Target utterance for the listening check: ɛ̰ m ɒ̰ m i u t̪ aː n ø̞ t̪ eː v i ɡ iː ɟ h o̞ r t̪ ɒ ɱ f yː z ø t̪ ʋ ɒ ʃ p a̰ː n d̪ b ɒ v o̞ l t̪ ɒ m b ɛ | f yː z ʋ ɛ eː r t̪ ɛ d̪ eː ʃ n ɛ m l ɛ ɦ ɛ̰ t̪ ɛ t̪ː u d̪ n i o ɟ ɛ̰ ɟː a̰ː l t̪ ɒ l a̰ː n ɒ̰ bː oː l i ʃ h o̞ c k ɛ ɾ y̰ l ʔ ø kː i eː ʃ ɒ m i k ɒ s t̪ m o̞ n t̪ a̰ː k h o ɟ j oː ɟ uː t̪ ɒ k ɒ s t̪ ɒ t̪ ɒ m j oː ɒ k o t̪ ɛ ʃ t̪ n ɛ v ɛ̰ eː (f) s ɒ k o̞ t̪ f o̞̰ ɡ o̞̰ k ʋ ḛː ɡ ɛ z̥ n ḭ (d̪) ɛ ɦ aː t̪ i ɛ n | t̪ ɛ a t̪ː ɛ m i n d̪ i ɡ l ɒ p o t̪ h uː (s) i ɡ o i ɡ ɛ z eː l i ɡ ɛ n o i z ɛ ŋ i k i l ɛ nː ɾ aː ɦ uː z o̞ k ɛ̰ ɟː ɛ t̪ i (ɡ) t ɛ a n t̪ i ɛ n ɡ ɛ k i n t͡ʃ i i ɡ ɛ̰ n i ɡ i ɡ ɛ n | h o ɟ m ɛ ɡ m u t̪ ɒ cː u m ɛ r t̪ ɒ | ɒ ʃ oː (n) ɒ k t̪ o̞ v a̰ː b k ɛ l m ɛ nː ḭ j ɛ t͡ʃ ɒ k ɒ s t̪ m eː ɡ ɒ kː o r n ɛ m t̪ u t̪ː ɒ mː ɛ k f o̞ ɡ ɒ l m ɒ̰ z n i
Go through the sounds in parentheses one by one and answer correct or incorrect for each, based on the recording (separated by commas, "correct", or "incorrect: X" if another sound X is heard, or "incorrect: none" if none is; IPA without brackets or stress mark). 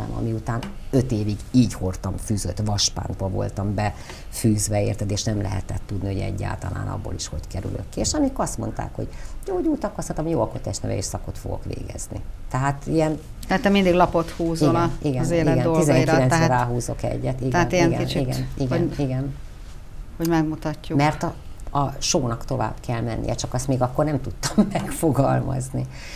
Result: incorrect: ʃ, incorrect: t̪, incorrect: z, correct, correct